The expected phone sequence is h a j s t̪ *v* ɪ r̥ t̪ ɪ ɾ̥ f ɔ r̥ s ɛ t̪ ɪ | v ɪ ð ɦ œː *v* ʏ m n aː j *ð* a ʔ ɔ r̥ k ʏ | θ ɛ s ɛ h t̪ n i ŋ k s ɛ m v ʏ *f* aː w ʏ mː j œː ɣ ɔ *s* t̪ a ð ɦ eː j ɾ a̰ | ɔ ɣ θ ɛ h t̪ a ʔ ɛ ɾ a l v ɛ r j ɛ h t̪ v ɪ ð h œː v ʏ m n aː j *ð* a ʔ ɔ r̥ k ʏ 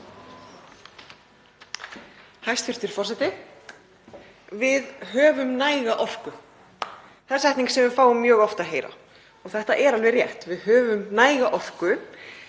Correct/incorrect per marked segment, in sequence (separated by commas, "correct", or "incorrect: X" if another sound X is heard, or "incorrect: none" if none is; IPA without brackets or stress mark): incorrect: f, correct, incorrect: ɣ, correct, incorrect: f, incorrect: ɣ